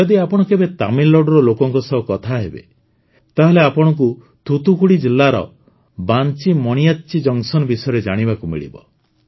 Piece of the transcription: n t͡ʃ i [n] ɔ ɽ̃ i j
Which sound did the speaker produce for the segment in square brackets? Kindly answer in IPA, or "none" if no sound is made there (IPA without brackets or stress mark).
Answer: m